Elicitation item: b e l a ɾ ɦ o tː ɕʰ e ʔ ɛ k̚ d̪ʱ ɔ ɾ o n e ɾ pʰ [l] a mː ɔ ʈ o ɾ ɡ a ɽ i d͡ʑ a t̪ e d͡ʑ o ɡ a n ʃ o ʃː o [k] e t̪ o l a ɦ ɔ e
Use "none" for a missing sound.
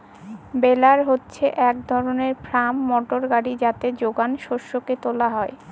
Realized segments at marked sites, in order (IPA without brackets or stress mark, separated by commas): ɾ, k